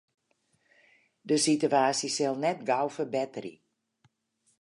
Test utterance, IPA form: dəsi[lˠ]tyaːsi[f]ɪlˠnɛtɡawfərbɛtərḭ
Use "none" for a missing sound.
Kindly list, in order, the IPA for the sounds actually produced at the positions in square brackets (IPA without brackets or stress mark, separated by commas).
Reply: none, s